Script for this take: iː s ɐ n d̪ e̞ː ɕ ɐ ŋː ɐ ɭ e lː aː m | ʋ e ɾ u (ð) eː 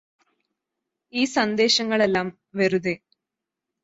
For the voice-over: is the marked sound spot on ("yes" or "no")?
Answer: yes